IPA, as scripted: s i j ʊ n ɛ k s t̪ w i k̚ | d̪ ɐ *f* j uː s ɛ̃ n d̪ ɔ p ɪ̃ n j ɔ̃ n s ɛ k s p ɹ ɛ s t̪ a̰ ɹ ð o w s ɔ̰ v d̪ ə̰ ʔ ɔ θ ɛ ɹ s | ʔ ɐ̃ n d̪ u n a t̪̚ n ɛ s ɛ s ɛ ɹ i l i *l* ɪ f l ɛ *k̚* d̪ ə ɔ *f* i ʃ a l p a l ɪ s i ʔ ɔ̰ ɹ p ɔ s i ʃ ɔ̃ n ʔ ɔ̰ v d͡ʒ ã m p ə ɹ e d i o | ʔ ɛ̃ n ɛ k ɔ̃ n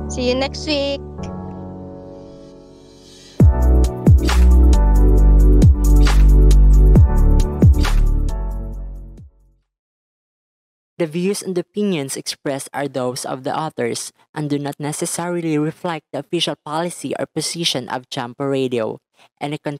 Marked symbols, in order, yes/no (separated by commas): no, no, yes, yes